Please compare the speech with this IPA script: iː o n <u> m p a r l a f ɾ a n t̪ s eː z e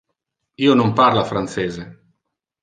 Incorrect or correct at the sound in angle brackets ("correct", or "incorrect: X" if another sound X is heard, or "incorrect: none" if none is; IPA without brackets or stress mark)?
incorrect: o